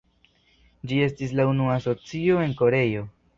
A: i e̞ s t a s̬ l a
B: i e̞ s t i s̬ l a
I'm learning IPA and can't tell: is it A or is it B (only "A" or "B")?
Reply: B